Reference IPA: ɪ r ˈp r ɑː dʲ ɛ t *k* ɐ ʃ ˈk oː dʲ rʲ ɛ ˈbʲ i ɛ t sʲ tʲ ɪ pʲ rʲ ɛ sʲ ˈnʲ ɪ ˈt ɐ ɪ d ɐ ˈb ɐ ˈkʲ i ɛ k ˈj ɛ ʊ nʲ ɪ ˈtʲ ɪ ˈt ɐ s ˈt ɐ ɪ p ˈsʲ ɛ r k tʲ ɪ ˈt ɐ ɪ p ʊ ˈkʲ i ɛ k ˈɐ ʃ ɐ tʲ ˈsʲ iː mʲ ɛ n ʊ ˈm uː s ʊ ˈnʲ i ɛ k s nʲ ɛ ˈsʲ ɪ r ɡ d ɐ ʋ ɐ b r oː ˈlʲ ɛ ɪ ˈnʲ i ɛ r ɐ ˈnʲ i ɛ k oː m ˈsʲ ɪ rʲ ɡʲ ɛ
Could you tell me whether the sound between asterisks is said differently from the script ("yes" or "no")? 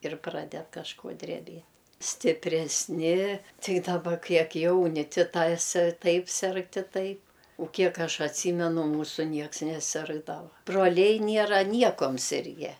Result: no